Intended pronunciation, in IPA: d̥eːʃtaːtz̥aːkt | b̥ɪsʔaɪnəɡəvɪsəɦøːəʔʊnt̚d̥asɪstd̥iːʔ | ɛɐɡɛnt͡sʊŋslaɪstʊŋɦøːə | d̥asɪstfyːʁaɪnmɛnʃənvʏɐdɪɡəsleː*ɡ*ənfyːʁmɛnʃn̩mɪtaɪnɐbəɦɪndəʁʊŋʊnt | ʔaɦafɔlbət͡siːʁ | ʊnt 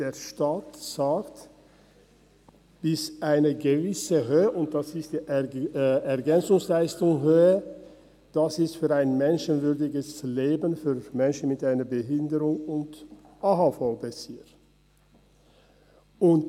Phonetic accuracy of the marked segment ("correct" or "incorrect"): incorrect